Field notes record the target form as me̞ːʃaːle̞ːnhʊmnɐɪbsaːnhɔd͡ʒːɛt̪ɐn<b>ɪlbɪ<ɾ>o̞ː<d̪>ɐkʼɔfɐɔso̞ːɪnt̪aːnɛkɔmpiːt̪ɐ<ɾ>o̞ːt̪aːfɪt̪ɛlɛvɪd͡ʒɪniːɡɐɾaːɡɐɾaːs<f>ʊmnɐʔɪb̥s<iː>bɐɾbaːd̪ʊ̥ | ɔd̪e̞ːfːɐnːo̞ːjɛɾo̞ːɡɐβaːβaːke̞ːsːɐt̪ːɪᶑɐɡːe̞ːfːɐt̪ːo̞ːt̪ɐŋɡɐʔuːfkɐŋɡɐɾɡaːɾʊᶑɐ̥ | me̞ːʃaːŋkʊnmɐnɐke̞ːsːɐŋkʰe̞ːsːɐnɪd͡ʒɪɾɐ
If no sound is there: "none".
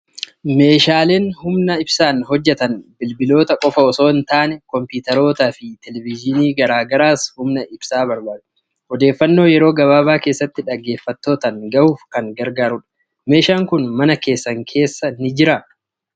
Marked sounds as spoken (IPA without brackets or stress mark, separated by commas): b, l, t̪, ɾ, h, aː